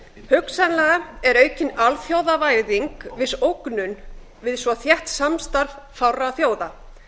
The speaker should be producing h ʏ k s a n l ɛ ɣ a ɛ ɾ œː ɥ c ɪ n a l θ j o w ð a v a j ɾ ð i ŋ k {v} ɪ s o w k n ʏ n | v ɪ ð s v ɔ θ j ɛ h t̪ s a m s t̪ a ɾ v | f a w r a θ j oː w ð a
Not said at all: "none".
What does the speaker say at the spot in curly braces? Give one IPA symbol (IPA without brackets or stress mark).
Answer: v